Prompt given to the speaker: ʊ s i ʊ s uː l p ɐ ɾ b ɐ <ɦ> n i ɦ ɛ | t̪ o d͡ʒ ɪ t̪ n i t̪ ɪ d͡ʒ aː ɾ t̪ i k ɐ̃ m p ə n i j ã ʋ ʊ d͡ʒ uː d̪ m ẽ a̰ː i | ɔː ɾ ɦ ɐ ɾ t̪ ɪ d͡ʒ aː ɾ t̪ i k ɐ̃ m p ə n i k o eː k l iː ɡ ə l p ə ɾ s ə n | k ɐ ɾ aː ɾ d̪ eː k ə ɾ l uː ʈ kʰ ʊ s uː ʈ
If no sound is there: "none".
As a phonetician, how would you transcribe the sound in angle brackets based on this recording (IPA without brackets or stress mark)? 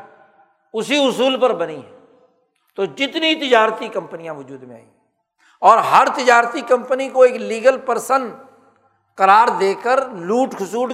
none